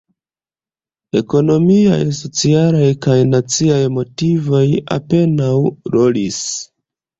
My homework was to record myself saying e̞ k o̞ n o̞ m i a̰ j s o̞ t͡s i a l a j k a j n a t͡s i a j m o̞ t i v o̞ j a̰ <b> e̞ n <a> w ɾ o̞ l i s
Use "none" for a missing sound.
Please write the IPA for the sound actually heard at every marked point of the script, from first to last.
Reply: p, a

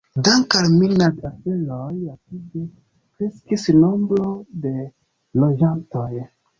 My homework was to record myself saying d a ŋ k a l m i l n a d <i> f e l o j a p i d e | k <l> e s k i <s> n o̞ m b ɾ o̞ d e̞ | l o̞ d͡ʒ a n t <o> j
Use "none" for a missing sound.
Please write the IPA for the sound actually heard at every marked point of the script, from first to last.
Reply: a, ɾ, s, o

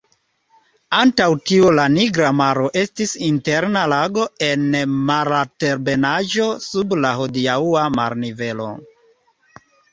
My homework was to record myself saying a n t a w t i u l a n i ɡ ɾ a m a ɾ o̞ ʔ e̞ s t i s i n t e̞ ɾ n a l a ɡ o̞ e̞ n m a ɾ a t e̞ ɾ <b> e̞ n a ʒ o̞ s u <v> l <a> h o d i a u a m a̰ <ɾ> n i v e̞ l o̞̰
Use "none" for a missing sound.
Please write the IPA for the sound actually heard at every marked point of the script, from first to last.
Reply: b, b, a, ɾ

